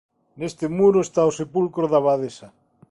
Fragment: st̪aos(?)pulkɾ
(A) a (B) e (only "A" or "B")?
B